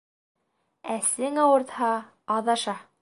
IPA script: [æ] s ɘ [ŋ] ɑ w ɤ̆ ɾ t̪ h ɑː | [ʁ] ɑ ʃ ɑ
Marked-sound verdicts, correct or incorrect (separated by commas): correct, correct, incorrect